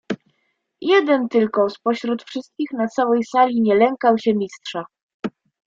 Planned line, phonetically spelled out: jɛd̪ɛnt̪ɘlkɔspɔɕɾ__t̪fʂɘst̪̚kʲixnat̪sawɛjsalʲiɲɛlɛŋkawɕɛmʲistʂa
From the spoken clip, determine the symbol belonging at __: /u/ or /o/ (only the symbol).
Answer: u